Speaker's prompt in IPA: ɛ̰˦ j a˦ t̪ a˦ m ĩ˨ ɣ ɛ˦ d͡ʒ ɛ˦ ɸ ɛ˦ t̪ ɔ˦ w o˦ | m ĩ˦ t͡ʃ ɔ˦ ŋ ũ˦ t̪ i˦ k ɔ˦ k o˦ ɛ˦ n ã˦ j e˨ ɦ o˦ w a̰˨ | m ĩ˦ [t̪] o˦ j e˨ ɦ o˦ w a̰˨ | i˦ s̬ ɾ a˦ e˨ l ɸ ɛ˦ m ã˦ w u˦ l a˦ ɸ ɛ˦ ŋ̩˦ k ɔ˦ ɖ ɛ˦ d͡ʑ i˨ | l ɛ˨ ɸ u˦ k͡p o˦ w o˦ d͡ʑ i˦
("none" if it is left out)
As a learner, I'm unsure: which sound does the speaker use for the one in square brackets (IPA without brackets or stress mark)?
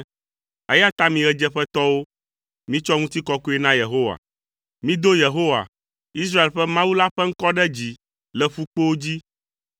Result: d̪